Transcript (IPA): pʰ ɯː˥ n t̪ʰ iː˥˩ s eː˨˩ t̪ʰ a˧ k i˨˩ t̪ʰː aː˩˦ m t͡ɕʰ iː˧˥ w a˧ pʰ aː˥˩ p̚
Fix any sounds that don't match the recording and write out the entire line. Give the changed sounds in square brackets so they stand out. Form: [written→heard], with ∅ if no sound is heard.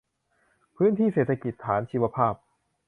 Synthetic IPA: pʰ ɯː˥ n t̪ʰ iː˥˩ s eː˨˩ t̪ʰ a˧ k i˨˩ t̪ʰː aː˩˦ [m→n] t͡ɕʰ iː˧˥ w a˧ pʰ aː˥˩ p̚